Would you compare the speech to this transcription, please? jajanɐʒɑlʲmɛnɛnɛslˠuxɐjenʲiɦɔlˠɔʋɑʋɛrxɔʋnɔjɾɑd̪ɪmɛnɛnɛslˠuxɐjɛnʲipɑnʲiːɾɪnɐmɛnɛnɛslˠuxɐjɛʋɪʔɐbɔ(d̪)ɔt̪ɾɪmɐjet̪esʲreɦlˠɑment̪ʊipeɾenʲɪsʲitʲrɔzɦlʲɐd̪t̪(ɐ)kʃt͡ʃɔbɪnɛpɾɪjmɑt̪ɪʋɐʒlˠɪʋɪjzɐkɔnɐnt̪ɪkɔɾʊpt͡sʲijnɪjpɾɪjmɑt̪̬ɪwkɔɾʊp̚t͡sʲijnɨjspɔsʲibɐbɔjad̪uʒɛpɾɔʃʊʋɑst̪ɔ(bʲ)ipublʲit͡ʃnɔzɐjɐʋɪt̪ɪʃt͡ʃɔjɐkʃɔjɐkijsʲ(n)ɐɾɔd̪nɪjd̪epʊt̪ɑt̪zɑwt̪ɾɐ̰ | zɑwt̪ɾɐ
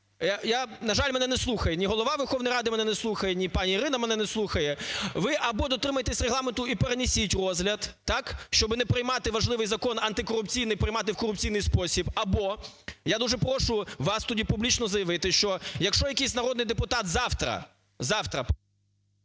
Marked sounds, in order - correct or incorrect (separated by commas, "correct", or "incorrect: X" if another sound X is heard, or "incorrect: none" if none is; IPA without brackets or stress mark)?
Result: correct, incorrect: ɑ, incorrect: dʲ, correct